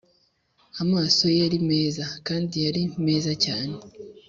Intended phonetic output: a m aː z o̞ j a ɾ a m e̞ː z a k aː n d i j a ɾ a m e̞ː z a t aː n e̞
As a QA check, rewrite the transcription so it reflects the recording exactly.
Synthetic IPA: a m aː s o̞ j a ɾ i m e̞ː z a k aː n d i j a ɾ i m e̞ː z a c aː n e̞